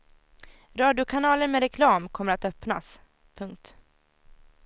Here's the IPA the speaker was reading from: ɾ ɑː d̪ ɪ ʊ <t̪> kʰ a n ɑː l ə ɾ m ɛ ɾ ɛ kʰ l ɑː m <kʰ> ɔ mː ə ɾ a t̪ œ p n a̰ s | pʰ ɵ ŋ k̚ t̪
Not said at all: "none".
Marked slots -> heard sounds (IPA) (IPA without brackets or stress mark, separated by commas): none, kʰ